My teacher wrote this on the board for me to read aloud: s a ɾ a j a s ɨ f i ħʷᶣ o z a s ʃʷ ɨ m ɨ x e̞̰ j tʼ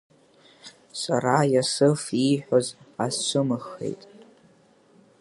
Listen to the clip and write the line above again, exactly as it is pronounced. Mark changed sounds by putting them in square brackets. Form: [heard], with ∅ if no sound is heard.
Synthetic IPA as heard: s a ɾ a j a s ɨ f i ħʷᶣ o z a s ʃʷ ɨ m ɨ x e̞̰ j tʼ